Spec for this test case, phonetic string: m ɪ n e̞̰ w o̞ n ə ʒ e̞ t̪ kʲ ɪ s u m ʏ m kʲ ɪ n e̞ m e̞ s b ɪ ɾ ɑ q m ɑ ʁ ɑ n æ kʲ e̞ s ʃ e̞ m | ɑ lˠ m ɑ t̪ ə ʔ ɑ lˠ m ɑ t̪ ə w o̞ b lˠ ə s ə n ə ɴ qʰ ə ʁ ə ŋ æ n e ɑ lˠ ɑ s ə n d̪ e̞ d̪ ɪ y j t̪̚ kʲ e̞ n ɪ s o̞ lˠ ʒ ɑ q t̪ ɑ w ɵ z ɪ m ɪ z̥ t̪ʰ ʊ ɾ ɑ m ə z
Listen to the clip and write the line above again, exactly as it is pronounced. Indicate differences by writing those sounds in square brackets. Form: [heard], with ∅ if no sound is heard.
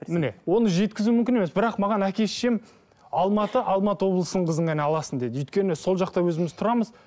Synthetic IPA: m ɪ n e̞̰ w o̞ n ə ʒ e̞ t̪ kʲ ɪ [z] u m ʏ m kʲ ɪ n e̞ m e̞ s b ɪ ɾ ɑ q m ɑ ʁ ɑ n æ kʲ e̞ s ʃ e̞ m | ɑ lˠ m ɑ t̪ ə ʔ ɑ lˠ m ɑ t̪ ə w o̞ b lˠ ə s ə n ə ɴ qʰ ə [z] ə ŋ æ n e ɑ lˠ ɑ s ə n d̪ e̞ d̪ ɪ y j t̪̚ kʲ e̞ n ɪ s o̞ lˠ ʒ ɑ q t̪ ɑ w ɵ z ɪ m ɪ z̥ t̪ʰ ʊ ɾ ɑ m ə z